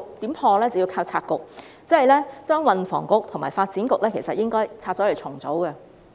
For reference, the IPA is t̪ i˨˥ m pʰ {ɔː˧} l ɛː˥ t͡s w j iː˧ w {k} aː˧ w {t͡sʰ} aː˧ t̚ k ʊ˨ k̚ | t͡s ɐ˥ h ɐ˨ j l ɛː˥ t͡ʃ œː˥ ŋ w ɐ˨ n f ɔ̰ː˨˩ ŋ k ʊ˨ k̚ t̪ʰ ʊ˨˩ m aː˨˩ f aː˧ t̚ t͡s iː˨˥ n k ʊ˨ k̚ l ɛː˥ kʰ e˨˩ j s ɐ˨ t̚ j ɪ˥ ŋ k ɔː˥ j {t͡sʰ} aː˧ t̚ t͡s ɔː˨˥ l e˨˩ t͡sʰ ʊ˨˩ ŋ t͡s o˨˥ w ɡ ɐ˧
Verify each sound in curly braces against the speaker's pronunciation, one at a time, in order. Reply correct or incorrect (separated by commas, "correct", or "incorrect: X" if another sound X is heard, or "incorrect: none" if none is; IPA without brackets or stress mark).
correct, incorrect: kʰ, correct, correct